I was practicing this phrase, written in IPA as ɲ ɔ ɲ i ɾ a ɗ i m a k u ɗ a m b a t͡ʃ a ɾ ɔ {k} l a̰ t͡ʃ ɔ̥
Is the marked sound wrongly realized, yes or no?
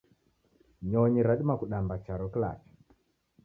no